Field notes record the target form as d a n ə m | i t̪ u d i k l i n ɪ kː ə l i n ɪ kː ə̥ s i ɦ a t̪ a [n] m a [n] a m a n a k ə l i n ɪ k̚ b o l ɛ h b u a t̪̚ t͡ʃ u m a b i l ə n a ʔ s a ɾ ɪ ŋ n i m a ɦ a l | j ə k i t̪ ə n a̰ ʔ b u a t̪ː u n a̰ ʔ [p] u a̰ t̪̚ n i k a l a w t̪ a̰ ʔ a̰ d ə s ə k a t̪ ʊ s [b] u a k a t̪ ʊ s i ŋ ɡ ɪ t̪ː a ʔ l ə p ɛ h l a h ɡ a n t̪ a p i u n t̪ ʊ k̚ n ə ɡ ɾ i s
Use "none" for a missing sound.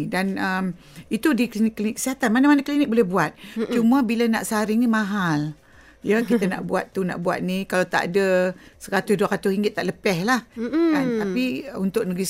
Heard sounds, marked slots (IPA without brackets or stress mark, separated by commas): n, n, b, d